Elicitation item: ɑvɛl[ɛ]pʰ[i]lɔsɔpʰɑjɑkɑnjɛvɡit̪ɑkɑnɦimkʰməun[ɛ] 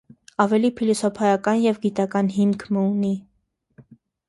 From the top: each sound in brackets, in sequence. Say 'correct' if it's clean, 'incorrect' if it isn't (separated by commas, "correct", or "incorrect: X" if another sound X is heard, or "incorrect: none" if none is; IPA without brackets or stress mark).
incorrect: i, correct, incorrect: i